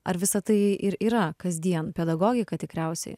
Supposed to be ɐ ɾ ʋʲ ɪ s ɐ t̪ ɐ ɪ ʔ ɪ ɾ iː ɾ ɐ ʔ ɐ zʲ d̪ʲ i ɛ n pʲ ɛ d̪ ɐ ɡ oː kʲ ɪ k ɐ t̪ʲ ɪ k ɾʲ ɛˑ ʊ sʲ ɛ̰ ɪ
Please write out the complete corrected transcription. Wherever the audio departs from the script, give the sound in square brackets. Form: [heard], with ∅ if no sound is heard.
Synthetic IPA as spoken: ɐ ɾ ʋʲ ɪ s ɐ t̪ ɐ ɪ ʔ ɪ ɾ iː ɾ ɐ [k] ɐ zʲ d̪ʲ i ɛ n pʲ ɛ d̪ ɐ ɡ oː [ɡʲ] ɪ k ɐ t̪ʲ ɪ k ɾʲ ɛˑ ʊ sʲ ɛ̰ ɪ